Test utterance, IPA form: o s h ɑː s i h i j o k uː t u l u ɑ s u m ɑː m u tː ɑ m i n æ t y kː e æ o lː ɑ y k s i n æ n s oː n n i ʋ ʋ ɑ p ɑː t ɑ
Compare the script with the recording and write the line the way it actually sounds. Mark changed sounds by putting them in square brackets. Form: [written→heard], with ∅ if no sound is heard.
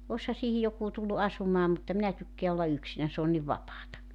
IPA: o s h [ɑː→ɑ] s [i→iː] h i j o k uː t u [l→lː] u ɑ s u m ɑː m u tː ɑ m i n æ t y kː e æ o lː ɑ y k s i n æ n s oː n n i ʋ ʋ ɑ p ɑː t ɑ